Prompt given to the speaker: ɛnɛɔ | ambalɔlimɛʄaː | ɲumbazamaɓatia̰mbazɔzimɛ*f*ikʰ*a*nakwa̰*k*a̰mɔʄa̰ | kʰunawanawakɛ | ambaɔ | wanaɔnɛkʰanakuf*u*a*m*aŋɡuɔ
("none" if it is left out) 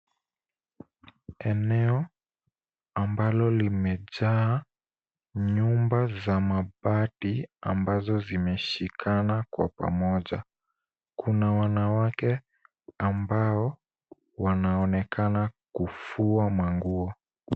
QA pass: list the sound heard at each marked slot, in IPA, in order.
ʃ, a, p, u, m

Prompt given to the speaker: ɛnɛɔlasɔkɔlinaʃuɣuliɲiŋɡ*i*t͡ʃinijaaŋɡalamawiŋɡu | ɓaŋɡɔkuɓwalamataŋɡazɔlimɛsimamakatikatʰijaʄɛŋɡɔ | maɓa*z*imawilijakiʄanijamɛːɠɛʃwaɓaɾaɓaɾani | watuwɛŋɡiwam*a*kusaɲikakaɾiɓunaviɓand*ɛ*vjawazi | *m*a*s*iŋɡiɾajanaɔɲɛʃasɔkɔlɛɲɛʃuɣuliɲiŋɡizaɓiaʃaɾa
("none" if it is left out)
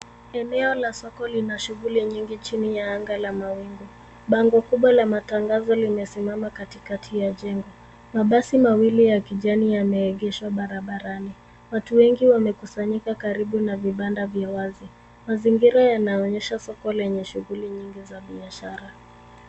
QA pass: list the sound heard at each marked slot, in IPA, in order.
i, s, ɛ, a, m, z

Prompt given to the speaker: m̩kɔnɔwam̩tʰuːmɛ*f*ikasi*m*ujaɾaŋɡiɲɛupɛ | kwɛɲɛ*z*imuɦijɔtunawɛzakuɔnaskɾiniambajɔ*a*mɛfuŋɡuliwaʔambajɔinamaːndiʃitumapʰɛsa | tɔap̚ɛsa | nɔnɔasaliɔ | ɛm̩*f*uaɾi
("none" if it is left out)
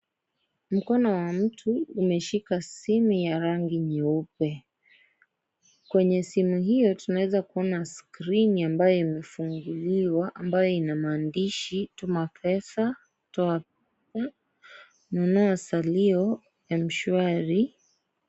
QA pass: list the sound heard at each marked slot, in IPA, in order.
ʃ, m, s, i, ʃ

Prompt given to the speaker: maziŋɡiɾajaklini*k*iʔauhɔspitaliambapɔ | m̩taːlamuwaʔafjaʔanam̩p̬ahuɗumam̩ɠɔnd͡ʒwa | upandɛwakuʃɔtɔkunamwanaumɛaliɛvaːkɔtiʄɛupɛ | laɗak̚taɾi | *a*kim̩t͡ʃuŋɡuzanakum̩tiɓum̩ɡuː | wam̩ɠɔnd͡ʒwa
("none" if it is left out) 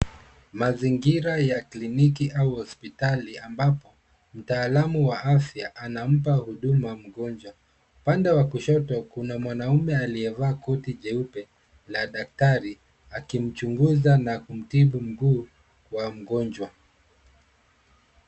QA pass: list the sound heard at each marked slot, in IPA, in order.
k, a

